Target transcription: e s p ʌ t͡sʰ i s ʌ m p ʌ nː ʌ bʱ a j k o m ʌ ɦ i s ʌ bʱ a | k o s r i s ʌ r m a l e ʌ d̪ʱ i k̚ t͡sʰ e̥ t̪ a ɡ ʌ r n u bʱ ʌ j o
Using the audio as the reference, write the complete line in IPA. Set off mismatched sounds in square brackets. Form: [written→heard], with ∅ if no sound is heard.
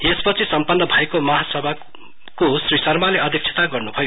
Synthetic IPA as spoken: e s p ʌ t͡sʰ i s ʌ m p ʌ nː ʌ bʱ a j k o m ʌ ɦ [i→a] s ʌ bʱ a | k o s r i s ʌ r m a l e ʌ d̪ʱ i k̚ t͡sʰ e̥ t̪ a ɡ ʌ r n u bʱ ʌ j o